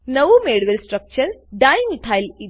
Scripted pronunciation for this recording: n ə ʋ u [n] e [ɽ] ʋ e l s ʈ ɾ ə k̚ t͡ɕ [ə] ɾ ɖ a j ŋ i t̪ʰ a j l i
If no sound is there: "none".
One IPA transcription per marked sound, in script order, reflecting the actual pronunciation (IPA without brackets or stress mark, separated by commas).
m, ɽ, ə